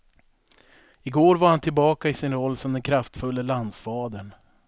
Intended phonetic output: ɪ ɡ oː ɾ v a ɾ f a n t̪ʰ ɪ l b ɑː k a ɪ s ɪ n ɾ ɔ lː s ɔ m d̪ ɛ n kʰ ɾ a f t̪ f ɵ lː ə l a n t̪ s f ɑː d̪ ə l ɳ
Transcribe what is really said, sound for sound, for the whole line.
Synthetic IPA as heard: ɪ ɡ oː ɾ v a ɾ h a n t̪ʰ ɪ l b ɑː k a ɪ s ɪ n ɾ ɔ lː s ɔ m d̪ ɛ n kʰ ɾ a f t̪ f ɵ lː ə l a n d̪ s f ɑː d̪ ə ɳ